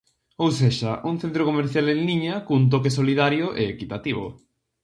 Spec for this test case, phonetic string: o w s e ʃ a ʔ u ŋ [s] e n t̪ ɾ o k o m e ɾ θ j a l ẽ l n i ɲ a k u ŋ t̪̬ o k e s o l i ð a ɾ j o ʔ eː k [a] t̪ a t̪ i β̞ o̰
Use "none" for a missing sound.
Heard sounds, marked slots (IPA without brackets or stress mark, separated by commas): θ, i